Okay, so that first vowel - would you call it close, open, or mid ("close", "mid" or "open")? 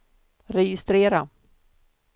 mid